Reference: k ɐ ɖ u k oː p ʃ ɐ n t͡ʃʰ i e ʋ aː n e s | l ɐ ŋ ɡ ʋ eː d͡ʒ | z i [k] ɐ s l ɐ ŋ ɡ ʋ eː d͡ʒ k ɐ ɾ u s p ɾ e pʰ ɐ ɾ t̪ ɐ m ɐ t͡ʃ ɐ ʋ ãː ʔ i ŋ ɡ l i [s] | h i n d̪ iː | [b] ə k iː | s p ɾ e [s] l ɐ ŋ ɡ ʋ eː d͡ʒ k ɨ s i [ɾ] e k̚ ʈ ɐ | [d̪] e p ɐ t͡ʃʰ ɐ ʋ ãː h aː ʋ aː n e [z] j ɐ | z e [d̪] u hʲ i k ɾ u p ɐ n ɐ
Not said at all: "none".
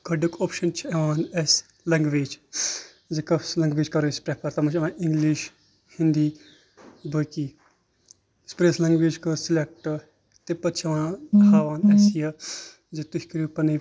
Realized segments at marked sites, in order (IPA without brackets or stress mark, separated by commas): k, ʃ, b, s, l, t̪, s, t̪